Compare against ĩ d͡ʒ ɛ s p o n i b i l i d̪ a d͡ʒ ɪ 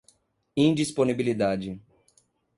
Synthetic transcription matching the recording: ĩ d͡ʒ i s p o n i b i l i d̪ a d͡ʒ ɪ